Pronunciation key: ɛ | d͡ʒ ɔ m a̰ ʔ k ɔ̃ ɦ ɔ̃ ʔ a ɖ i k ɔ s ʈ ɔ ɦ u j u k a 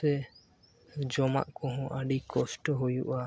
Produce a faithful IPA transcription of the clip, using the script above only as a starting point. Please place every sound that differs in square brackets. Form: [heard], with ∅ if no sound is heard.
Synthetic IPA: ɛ | d͡ʒ ɔ m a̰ ʔ k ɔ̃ ɦ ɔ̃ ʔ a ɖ i k ɔ s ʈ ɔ ɦ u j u [ʔ] a